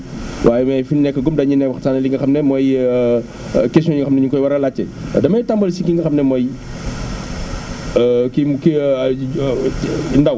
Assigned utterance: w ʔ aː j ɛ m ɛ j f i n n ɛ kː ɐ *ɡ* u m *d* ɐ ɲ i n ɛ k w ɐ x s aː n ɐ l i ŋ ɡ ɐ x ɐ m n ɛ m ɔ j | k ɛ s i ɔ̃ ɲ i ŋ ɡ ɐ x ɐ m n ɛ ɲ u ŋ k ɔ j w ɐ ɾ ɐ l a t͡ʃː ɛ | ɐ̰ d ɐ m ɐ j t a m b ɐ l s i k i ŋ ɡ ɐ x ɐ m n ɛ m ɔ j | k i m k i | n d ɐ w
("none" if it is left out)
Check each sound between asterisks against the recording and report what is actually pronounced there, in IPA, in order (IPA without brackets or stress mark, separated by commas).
ɡ, d